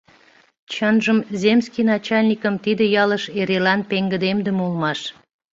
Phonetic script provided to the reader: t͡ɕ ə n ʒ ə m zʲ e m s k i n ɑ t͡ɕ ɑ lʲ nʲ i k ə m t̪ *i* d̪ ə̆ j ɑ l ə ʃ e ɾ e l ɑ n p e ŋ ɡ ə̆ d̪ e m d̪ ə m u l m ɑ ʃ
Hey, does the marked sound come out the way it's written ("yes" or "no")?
yes